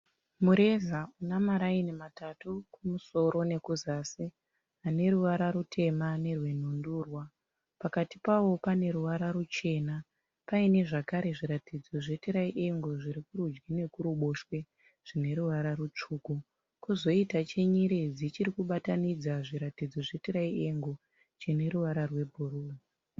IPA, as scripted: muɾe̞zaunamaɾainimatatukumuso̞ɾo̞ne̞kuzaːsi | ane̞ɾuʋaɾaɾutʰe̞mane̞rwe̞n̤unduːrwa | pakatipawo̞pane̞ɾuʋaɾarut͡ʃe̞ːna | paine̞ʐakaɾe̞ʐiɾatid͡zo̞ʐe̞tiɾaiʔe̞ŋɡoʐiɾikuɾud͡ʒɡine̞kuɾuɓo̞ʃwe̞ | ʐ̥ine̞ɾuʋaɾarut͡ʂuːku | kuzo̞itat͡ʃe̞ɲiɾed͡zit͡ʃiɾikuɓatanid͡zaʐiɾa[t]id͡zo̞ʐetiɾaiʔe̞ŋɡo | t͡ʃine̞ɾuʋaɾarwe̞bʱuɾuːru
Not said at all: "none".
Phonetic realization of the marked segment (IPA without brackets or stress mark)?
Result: t